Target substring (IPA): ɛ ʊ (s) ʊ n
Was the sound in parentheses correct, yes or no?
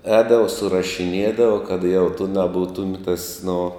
no